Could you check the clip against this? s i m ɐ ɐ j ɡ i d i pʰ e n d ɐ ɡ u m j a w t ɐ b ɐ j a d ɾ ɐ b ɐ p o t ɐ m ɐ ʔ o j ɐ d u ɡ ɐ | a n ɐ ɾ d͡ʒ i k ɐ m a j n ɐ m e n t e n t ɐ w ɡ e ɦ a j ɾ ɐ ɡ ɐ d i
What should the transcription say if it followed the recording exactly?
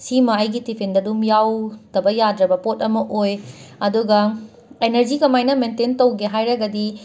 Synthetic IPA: s i m ɐ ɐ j ɡ i t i pʰ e n d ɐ d u m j a w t ɐ b ɐ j a d ɾ ɐ b ɐ p o t ɐ m ɐ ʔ o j ɐ d u ɡ ɐ | e n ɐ ɾ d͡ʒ i k ɐ m a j n ɐ m e n t e n t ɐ w ɡ e ɦ a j ɾ ɐ ɡ ɐ d i